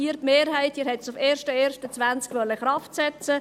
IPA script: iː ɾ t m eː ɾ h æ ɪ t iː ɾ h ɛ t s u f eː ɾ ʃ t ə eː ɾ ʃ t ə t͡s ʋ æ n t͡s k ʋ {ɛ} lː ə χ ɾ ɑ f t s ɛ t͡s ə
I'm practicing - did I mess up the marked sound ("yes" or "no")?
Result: yes